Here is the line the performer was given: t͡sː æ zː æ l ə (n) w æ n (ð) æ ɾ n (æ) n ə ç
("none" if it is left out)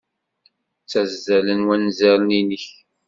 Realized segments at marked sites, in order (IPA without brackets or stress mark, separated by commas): n, z, i